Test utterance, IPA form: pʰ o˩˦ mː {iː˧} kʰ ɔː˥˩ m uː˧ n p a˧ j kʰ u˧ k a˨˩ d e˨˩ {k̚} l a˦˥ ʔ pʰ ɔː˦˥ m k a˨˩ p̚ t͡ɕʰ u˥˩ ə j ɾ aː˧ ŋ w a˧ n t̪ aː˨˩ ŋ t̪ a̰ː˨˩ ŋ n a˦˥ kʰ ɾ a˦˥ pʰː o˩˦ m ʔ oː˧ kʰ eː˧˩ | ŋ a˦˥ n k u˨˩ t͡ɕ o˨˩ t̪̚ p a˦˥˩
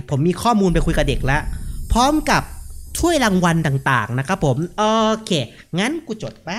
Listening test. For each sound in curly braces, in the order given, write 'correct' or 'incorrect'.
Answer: correct, correct

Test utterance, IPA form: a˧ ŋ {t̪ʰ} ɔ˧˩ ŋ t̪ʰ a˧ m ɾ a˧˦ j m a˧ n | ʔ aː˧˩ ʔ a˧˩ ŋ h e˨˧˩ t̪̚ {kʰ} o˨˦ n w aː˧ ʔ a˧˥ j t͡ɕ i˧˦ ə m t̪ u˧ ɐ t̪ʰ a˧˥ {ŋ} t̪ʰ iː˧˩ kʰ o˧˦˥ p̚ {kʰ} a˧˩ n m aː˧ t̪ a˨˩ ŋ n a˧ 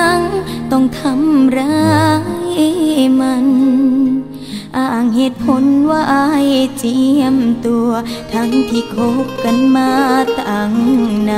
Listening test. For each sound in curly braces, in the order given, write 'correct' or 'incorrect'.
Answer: incorrect: t̪, incorrect: pʰ, correct, incorrect: k

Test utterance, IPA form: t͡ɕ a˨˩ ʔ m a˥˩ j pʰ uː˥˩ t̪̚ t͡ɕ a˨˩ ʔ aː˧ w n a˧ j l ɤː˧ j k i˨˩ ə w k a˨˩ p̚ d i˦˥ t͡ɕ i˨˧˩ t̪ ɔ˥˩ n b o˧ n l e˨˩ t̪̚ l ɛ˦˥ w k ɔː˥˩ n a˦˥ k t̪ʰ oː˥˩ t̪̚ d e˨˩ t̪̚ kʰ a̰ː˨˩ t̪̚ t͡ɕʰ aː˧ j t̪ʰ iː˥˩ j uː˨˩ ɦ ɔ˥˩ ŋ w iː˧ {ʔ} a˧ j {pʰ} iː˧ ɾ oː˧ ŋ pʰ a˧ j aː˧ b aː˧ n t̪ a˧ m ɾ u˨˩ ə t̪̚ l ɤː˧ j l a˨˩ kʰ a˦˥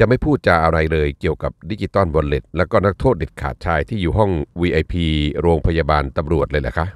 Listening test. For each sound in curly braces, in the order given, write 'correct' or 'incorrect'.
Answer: correct, correct

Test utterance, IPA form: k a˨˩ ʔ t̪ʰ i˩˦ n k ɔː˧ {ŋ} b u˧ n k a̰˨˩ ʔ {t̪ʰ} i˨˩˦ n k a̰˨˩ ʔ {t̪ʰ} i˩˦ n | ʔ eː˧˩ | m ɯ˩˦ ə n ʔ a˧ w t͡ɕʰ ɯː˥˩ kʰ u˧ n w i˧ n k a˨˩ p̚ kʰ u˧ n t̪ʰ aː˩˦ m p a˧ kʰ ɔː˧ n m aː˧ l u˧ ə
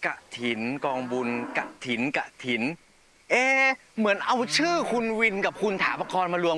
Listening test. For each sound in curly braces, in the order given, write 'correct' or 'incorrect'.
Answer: correct, correct, correct

